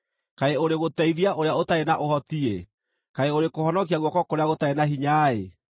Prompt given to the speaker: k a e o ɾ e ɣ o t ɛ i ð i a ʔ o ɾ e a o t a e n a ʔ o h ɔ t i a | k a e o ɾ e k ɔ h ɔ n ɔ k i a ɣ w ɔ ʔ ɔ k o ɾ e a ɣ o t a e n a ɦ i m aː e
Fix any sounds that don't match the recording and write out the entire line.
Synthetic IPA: k a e o ɾ e ɣ o t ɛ i ð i a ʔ o ɾ e a o t a e n a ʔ o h ɔ t i e | k a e o ɾ e k o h ɔ n ɔ k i a ɣ w ɔ k ɔ k o ɾ e a ɣ o t a e n a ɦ i ɲ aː e

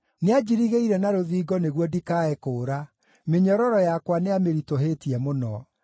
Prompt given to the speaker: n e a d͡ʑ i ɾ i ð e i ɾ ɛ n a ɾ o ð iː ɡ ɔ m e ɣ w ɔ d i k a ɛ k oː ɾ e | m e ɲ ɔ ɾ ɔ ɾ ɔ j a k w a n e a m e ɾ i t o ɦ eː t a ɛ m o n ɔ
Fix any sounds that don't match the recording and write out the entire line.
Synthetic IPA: n e a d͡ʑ i ɾ i ɣ e i ɾ ɛ n a ɾ o ð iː ɡ ɔ n e ɣ w ɔ d i k a ɛ k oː ɾ a | m e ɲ ɔ ɾ ɔ ɾ ɔ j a k w a n e a m e ɾ i t o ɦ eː t i ɛ m o n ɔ

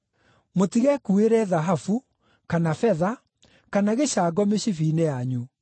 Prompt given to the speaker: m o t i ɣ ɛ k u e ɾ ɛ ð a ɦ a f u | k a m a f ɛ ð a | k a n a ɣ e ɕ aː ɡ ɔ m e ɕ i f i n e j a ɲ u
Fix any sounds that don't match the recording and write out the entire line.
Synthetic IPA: m o t i ɣ ɛ k u e ɾ ɛ ð a ɦ a f u | k a n a f ɛ ð a | k a n a ɣ e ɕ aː ɡ ɔ m e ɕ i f i n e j a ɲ u

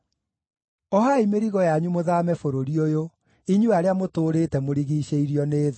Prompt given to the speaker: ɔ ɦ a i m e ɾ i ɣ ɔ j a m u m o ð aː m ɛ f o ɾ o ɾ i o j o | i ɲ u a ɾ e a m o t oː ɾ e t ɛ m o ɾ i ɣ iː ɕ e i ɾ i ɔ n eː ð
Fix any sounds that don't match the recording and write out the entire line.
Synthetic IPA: ɔ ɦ a i m e ɾ i ɣ ɔ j a ɲ u m o ð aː m ɛ f o ɾ o ɾ i o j o | i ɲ u a ɾ e a m o t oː ɾ e t ɛ m o ɾ i ɣ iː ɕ e i ɾ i ɔ n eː ð

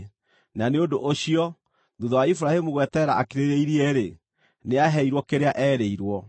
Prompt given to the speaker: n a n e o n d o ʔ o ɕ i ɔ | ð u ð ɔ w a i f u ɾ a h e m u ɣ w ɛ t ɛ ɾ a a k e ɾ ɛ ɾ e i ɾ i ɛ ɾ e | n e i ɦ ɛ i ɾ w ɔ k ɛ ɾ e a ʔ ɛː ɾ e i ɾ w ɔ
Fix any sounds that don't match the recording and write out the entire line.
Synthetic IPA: n a n e o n d o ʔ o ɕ i ɔ | ð u ð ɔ w a i f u ɾ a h e m u ɣ w ɛ t ɛ ɾ a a k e ɾ e ɾ e i ɾ i ɛ ɾ e | n e a ɦ ɛ i ɾ w ɔ k e ɾ e a ʔ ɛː ɾ e i ɾ w ɔ

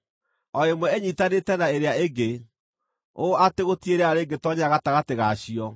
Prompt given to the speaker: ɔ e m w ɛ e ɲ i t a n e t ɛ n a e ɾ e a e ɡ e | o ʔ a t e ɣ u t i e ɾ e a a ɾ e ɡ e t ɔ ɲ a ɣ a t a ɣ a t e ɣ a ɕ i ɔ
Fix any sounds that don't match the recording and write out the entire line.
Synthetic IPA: ɔ e m w ɛ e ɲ i t a n e t ɛ n a e ɾ e a e ɡ e | o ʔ a t e ɣ o t i e ɾ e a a ɾ e ɡ e t ɔ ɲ a ɣ a t a ɣ a t e ɣ a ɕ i ɔ

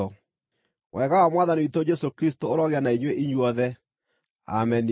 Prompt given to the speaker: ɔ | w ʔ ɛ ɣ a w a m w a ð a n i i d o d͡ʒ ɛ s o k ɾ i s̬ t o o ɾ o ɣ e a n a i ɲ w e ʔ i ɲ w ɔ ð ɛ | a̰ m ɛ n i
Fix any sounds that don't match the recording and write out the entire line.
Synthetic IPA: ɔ | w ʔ ɛ ɣ a w a m w a ð a n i i t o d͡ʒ ɛ s o k ɾ i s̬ t o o ɾ ɔ ɣ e a n a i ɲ w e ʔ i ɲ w ɔ ð ɛ | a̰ m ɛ n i

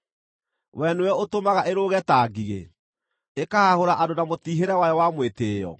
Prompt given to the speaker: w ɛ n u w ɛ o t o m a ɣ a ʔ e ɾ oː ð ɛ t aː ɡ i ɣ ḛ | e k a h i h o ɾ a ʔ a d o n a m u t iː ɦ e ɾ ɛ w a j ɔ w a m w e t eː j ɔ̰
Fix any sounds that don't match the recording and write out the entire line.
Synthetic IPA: w ɛ n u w ɛ o t o m a ɣ a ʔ e ɾ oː ɣ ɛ t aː ɡ i ɣ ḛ | e k a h a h o ɾ a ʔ a d o n a m o t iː ɦ e ɾ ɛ w a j ɔ w a m w e t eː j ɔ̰

